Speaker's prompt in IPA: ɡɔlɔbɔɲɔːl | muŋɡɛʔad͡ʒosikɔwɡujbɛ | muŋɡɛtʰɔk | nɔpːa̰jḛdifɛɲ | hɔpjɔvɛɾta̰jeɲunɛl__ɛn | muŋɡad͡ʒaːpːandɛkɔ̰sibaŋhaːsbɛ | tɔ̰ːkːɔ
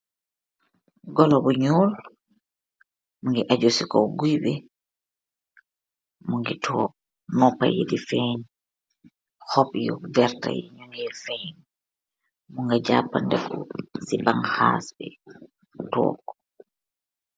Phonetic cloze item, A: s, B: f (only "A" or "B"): B